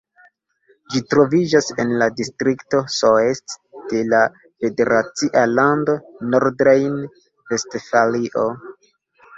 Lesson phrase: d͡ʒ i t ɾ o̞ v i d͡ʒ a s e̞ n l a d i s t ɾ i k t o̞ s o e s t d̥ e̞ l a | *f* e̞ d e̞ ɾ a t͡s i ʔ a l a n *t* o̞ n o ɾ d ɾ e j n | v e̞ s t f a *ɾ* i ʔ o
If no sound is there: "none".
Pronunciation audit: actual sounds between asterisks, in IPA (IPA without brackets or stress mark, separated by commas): f, d, l